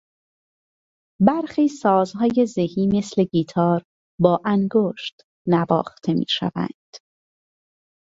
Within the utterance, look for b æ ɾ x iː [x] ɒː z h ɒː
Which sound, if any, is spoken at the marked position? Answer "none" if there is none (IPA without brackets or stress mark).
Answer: s